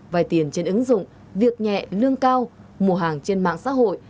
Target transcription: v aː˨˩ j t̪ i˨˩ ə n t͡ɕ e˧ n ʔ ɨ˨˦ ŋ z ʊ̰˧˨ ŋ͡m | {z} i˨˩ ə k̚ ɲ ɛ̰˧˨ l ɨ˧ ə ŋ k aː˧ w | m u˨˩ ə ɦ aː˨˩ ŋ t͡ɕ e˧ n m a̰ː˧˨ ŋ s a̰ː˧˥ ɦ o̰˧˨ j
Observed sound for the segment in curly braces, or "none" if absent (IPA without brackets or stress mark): v